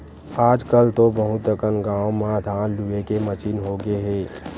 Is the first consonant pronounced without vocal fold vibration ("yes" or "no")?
no